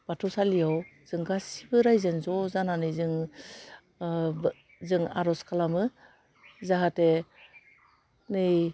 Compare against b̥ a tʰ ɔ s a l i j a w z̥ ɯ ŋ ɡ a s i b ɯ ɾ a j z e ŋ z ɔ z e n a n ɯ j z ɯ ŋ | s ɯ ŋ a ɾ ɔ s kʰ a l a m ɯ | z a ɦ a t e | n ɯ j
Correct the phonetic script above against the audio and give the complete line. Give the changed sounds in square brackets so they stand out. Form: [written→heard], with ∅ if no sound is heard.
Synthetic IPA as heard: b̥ a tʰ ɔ s a l i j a w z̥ ɯ ŋ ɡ a s i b ɯ ɾ a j z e [ŋ→n] z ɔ z [e→a] n a n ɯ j z ɯ ŋ | [s→z] ɯ ŋ a ɾ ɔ s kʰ a l a m ɯ | z a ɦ a t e | n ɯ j